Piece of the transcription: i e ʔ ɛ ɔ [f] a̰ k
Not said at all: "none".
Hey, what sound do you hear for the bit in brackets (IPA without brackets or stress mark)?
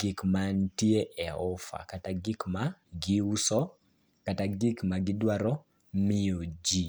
f